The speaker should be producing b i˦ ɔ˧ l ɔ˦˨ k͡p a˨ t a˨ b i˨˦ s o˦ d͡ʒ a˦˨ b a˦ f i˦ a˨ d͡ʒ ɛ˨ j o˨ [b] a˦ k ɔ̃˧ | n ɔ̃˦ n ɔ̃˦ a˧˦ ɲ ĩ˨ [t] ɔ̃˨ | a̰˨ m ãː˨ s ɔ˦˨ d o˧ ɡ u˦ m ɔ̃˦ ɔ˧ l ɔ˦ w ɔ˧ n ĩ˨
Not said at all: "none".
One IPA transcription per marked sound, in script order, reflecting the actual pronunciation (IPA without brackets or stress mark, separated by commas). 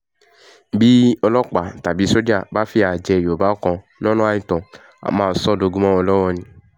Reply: b, t